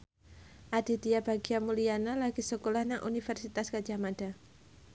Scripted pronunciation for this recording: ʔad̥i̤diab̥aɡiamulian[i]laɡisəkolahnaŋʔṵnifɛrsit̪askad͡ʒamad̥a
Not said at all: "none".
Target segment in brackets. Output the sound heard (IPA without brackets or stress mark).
a